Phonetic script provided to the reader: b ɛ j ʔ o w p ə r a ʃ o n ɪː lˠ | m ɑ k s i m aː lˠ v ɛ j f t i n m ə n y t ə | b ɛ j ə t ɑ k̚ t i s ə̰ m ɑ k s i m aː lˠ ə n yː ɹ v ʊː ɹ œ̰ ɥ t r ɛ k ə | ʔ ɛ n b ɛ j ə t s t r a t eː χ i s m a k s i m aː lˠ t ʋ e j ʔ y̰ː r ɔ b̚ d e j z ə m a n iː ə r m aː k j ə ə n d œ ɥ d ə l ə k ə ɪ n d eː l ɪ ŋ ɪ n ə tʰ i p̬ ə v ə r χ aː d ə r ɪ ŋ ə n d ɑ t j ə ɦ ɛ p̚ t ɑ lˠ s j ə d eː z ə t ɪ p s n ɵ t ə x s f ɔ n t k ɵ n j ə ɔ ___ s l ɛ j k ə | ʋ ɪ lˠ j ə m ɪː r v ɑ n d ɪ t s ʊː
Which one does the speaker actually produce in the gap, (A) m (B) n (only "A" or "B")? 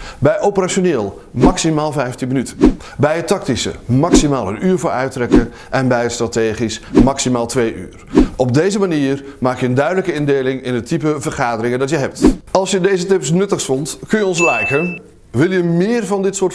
B